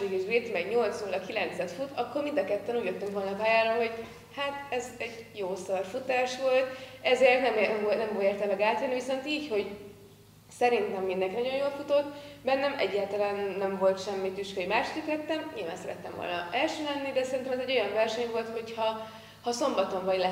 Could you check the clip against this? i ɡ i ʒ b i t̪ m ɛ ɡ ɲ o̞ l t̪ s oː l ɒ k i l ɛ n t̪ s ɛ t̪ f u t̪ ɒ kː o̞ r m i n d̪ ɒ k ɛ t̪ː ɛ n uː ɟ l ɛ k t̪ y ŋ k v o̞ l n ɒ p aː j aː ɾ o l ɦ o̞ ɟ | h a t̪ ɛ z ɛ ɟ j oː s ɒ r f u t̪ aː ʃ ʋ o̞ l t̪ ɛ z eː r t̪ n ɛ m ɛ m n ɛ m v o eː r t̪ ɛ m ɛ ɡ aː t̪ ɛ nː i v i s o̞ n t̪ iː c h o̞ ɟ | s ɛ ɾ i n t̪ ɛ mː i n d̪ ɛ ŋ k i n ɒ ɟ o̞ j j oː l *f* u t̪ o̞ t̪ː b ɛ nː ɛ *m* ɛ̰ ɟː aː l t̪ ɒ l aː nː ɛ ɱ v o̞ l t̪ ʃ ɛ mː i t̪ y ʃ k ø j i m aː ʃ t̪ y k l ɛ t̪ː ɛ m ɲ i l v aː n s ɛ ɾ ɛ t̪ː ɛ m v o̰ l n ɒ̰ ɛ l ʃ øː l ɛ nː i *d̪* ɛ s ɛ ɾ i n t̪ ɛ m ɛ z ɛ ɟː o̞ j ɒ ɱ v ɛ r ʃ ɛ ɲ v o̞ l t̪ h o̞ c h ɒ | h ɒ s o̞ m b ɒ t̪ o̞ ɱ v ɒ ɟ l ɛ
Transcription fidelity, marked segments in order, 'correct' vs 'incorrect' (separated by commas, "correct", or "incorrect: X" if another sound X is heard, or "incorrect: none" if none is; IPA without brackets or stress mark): correct, correct, correct